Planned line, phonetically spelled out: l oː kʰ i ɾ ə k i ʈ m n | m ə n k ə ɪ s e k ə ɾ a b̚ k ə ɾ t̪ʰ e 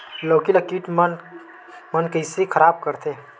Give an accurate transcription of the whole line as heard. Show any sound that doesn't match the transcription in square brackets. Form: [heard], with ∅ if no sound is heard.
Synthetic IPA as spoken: l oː [k] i [l] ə k i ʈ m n | m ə n k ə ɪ s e [kʰ] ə ɾ a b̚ k ə ɾ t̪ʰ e

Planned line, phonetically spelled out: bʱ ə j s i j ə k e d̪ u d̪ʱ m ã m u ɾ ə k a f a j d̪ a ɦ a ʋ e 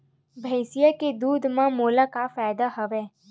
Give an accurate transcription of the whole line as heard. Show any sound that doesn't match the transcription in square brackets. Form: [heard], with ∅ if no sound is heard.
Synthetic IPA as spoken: bʱ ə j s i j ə k e d̪ u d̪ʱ m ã m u [l] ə k a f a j d̪ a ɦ [ə] ʋ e

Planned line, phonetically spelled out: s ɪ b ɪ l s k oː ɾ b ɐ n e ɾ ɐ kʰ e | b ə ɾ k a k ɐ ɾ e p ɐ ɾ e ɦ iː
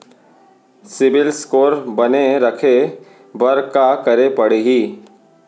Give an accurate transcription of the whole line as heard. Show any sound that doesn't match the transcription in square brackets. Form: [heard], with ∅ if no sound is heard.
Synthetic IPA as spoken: s ɪ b ɪ l s k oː ɾ b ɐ n e ɾ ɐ kʰ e | b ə ɾ k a k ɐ ɾ e p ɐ [ɽ] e ɦ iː

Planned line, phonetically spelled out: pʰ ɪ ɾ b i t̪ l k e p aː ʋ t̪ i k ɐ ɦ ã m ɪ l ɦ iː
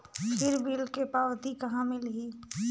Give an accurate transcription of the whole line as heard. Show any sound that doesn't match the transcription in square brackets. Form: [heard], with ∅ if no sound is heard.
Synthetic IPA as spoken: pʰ ɪ ɾ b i [∅] l k e p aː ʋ t̪ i k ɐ ɦ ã m ɪ l ɦ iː

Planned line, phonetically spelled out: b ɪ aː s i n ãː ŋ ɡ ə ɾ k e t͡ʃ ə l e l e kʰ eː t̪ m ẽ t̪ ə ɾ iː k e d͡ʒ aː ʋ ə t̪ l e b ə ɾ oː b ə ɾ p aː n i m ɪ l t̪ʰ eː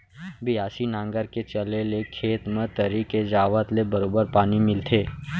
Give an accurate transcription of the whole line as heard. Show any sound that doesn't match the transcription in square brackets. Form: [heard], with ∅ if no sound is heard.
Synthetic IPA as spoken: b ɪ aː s i n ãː ŋ ɡ ə ɾ k e t͡ʃ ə l e l e kʰ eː t̪ m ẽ t̪ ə ɾ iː k e d͡ʒ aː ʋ ə t̪ l e b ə ɾ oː b ə ɾ p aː n i m ɪ l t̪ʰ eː

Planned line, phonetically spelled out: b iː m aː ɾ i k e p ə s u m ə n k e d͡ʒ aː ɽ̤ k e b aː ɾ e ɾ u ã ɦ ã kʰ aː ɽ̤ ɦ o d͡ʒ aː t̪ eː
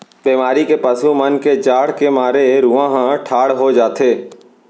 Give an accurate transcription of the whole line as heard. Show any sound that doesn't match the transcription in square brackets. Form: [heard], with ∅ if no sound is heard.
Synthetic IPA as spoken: b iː m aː ɾ i k e p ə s u m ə n k e d͡ʒ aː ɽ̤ k e [m] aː ɾ e ɾ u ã ɦ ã [ʈʰ] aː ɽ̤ ɦ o d͡ʒ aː t̪ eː

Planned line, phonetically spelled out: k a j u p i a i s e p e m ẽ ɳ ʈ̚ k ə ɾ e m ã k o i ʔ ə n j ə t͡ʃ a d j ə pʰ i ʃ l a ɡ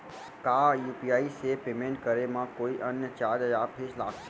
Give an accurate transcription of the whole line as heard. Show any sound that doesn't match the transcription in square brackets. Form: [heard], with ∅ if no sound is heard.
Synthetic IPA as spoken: k a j u p i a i s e p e m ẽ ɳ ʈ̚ k ə ɾ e m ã k o i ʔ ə n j ə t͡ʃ a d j [a] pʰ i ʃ l a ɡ

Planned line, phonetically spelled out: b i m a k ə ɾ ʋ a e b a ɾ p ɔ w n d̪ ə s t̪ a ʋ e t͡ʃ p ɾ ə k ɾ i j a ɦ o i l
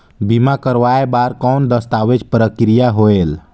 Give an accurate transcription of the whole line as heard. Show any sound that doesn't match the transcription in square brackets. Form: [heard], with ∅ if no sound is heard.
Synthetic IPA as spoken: b i m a k ə ɾ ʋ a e b a ɾ [k] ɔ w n d̪ ə s t̪ a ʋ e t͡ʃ p ɾ ə k ɾ i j a ɦ o [e] l

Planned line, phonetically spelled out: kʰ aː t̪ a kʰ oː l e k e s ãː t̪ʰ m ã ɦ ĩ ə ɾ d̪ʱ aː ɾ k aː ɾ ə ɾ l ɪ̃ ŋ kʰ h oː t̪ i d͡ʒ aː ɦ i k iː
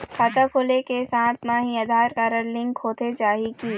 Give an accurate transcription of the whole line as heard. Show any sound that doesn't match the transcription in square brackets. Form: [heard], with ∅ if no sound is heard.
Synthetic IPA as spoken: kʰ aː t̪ a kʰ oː l e k e s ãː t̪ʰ m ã ɦ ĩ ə [∅] d̪ʱ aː ɾ k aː ɾ ə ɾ l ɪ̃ ŋ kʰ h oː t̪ [e] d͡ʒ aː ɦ i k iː

